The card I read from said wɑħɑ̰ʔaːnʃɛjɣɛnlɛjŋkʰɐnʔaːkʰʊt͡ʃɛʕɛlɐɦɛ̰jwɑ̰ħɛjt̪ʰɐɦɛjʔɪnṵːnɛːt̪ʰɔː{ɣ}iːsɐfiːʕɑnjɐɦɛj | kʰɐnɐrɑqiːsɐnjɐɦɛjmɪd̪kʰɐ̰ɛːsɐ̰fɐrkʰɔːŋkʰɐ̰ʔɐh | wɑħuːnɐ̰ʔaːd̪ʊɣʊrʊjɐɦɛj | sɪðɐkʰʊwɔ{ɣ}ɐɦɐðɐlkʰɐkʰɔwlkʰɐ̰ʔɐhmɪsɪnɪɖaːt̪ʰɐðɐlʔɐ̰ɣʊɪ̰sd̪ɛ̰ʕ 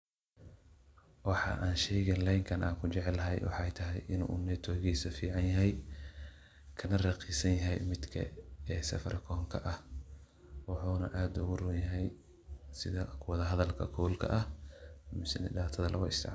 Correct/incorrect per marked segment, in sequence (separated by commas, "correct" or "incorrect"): correct, incorrect